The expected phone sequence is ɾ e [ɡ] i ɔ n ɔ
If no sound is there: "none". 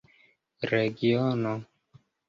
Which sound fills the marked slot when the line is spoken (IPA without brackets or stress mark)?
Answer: ɡ